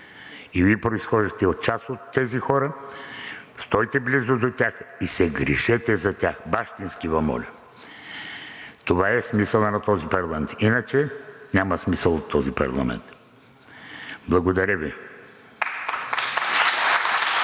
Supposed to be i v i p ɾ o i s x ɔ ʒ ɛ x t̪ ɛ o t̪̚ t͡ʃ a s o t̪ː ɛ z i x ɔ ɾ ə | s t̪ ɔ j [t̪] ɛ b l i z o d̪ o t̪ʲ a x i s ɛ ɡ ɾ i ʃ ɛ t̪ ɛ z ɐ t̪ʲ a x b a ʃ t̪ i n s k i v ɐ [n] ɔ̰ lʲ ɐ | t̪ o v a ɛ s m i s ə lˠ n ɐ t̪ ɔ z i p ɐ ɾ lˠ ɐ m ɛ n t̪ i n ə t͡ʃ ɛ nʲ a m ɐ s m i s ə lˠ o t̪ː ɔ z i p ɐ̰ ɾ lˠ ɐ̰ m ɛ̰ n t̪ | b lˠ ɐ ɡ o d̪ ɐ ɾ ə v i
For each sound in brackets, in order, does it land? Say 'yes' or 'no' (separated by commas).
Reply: yes, no